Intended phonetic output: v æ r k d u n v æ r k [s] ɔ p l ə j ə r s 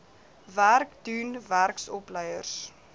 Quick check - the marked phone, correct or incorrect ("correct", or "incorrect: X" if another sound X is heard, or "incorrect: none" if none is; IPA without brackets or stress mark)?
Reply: correct